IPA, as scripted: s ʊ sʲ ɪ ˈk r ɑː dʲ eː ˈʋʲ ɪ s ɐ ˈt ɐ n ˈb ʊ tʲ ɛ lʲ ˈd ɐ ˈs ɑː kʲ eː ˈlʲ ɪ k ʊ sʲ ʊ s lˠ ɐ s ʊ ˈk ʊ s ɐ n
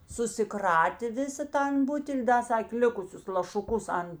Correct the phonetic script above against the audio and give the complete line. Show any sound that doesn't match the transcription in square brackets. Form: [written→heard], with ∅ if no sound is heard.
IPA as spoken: s ʊ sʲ ɪ ˈk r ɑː [dʲ→tʲ] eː ˈʋʲ ɪ s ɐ ˈt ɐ n ˈb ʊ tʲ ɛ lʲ ˈd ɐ ˈs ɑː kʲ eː ˈlʲ ɪ k ʊ sʲ ʊ s lˠ ɐ [s→ʃ] ʊ ˈk ʊ s ɐ n